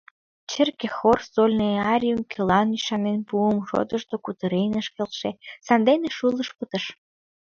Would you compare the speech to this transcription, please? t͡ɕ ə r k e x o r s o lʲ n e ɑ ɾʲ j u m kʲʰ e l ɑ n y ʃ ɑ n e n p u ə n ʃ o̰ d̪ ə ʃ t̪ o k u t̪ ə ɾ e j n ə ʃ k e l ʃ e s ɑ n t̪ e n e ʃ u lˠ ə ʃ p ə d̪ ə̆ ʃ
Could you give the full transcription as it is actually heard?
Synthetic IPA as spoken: t͡ɕ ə r k e x o r s o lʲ n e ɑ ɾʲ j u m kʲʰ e l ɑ n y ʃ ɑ n e n p u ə m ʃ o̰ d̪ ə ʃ t̪ o k u t̪ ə ɾ e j n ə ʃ k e l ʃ e s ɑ n d̪ e n e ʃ u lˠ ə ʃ p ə t̪ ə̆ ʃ